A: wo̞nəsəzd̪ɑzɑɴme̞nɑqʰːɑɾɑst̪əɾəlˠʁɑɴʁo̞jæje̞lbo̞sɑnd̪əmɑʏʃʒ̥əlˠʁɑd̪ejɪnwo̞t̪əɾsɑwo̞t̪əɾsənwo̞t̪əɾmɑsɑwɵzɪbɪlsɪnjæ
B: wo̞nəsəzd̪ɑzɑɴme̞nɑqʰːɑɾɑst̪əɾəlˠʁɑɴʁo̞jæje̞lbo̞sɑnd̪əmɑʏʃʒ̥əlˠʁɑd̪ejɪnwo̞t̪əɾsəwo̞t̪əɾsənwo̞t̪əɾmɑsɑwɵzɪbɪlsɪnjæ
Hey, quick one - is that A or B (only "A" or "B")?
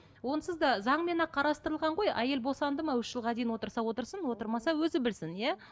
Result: A